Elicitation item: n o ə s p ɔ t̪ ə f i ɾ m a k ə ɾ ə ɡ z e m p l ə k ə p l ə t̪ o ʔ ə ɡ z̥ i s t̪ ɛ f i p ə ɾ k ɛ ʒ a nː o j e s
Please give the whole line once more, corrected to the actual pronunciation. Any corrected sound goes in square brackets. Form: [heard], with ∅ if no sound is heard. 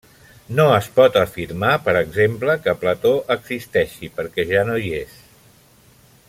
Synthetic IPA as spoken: n o ə s p ɔ t̪ ə f i ɾ m a [p] ə ɾ ə ɡ z e m p l ə k ə p l ə t̪ o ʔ ə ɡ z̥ i s t̪ ɛ [ʃ] i p ə ɾ k ɛ ʒ a [n] o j e s